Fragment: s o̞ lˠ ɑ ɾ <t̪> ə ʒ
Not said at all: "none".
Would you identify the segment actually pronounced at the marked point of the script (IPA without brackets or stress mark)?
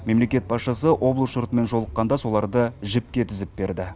d̪